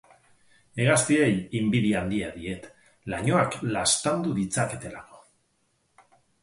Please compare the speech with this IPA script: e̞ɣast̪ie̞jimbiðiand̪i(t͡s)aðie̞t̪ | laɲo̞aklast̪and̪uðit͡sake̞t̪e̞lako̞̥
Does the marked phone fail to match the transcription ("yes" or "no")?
yes